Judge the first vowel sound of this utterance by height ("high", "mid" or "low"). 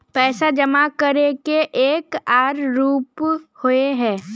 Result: mid